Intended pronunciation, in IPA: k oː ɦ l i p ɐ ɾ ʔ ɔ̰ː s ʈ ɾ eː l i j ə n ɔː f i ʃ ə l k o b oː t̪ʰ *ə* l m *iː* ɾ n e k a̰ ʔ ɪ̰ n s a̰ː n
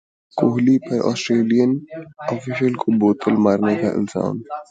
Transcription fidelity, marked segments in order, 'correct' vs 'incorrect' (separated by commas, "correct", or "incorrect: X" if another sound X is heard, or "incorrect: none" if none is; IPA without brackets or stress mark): correct, incorrect: aː